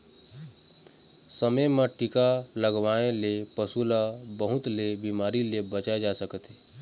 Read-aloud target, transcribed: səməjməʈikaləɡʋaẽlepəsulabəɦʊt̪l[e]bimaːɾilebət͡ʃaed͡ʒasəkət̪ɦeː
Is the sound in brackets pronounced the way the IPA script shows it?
yes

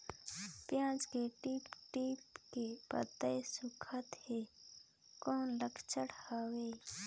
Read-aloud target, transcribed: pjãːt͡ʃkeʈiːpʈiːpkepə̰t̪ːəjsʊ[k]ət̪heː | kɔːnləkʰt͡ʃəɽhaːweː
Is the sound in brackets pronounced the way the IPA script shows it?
no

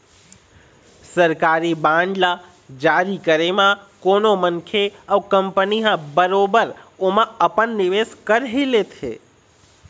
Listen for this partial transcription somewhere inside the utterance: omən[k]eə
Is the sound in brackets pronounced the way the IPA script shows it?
no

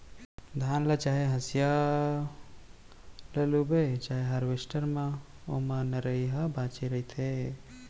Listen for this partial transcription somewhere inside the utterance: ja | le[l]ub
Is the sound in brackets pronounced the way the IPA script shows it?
yes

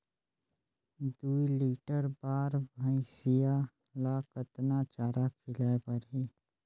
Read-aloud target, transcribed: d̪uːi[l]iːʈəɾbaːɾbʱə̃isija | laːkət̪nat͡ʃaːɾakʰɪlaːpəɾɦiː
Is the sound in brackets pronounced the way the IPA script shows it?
yes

